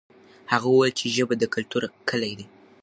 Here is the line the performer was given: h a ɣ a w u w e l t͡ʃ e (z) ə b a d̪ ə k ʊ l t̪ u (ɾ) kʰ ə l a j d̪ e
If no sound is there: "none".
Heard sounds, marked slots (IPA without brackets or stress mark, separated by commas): ʒ, ɾ